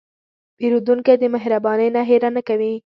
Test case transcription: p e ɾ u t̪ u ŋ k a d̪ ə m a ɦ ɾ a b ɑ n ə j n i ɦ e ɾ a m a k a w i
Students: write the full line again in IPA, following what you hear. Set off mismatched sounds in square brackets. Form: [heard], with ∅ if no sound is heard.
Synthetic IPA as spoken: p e ɾ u [d̪] u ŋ k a d̪ ə m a ɦ ɾ a b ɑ n ə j n [a] ɦ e ɾ a [n] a k a w i

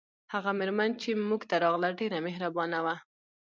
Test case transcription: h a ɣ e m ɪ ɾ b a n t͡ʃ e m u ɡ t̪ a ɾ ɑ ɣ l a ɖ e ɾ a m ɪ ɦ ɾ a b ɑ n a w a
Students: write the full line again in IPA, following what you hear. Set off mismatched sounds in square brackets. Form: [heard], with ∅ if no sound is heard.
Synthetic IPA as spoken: h a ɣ [a] m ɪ ɾ [m] a n t͡ʃ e m u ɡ t̪ a ɾ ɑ ɣ l a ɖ e ɾ a m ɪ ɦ ɾ a b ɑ n a w a

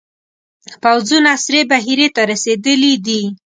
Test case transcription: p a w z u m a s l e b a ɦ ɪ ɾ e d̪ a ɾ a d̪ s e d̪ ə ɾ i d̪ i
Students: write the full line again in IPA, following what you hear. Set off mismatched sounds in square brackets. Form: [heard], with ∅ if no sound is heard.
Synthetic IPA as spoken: p a w z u [n] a s [ɾ] e b a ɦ [i] ɾ e [t̪] a ɾ a [∅] s e d̪ ə [l] i d̪ i

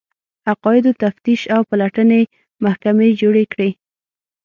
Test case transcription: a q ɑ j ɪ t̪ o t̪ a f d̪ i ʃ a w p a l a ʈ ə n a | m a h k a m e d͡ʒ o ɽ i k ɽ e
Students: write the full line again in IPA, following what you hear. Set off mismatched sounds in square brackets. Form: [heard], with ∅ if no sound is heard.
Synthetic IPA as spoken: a q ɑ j ɪ [d̪] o t̪ a f [t̪] i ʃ a w p a l a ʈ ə n [e] | m a h k a m e d͡ʒ o ɽ [e] k ɽ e

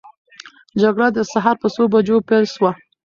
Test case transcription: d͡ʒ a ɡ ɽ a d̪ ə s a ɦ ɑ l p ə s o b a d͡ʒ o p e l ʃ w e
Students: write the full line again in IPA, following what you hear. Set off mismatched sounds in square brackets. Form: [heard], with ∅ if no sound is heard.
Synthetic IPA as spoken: d͡ʒ a ɡ ɽ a d̪ ə s a ɦ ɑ [ɾ] p ə s o b a d͡ʒ o p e l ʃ w [a]

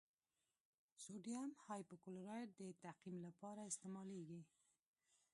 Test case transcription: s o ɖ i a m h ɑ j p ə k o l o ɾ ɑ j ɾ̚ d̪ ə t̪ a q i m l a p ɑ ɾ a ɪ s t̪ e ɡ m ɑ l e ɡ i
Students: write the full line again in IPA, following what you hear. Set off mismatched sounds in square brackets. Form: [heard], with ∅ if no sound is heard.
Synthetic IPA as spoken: s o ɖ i a m h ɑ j p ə k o l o ɾ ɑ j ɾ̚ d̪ ə t̪ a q i m l a p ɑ ɾ a ɪ s t̪ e [∅] m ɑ l e ɡ i

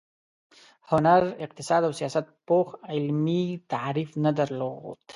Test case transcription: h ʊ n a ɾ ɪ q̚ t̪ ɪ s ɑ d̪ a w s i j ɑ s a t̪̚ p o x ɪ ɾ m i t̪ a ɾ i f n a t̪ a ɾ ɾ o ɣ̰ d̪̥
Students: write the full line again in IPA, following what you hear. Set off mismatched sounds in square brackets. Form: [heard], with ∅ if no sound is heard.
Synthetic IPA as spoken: h ʊ n a ɾ ɪ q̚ t̪ ɪ s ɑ d̪ a w s i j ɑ s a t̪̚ p o x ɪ [l] m i t̪ a ɾ i f n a [d̪] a ɾ [l] o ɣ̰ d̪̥

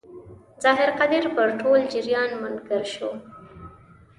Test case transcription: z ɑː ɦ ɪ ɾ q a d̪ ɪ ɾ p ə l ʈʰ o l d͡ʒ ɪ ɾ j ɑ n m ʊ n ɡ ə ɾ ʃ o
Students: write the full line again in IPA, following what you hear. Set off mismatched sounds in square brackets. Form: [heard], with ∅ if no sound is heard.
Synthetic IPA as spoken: z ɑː ɦ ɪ ɾ q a d̪ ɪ ɾ p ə [ɾ] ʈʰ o l d͡ʒ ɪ ɾ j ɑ n m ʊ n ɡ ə ɾ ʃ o

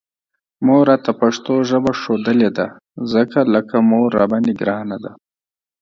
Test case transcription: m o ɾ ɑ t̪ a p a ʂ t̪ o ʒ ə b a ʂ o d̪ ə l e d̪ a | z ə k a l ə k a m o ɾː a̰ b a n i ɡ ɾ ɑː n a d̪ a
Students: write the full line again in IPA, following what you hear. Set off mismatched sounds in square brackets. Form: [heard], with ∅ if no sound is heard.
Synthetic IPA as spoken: m o ɾ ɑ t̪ a p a ʂ t̪ o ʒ ə b a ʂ o d̪ ə l e d̪ a | z ə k a l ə k a m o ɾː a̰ b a n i ɡ ɾ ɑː n a d̪ a

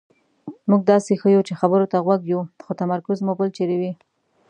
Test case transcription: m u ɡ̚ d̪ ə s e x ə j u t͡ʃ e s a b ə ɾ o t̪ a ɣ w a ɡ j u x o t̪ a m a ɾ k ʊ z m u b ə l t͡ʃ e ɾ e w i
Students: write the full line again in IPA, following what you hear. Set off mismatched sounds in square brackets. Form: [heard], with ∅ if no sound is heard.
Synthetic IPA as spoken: m u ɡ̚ d̪ [ɑ] s e x ə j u t͡ʃ e [x] a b ə ɾ o t̪ a ɣ w a ɡ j u x o t̪ a m a ɾ k ʊ z m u b ə l t͡ʃ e ɾ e w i

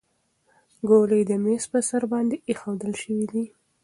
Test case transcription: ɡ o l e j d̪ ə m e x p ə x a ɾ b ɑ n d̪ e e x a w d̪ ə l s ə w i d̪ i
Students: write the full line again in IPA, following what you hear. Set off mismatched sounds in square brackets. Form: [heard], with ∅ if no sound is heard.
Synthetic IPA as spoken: ɡ o l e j d̪ ə m e [s] p ə [s] a ɾ b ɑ n d̪ e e x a w d̪ ə l [ʃ] ə w i d̪ i

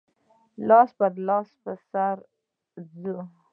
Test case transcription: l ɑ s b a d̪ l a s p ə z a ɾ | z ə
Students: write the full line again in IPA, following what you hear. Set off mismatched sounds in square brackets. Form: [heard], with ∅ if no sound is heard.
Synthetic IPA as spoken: l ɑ s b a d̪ l [ɑ] s p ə [s] a ɾ | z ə

